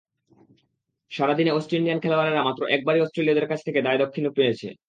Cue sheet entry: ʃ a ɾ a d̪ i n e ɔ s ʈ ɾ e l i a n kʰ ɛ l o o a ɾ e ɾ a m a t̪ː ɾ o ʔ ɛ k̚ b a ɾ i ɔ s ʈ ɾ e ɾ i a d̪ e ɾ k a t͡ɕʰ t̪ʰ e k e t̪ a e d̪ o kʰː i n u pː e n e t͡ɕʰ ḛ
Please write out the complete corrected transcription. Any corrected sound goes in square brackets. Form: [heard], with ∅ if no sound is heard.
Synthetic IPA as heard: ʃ a ɾ a d̪ i n e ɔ s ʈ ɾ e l i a n kʰ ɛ l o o a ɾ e ɾ a m a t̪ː ɾ o ʔ ɛ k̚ b a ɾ i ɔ s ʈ ɾ e [l] i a d̪ e ɾ k a t͡ɕʰ t̪ʰ e k e [d̪] a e d̪ o kʰː i n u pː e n e t͡ɕʰ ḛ